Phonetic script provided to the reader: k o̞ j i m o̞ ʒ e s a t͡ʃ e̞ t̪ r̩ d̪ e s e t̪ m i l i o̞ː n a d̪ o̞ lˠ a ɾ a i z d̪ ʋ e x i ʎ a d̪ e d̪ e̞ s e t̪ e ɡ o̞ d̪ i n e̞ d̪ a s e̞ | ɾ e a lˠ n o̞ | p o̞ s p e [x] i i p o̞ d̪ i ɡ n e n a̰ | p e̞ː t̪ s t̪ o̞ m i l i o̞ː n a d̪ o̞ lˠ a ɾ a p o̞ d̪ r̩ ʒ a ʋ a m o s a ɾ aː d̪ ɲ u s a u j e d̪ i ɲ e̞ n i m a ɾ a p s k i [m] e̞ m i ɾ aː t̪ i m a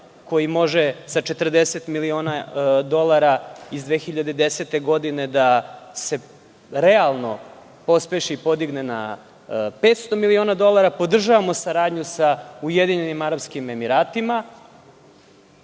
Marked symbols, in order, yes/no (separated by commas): no, yes